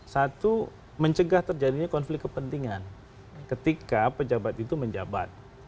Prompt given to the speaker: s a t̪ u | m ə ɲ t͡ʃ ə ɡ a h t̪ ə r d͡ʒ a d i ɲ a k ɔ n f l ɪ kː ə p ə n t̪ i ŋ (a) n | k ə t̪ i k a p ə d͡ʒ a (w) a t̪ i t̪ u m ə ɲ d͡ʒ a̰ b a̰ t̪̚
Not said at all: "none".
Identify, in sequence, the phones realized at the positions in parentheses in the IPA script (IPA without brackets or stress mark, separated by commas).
a, b